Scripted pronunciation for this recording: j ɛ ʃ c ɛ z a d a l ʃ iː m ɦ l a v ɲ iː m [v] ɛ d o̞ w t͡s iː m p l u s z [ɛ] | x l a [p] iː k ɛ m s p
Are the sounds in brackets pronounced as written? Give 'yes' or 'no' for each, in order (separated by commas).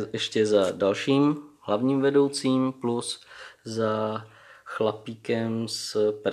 yes, no, yes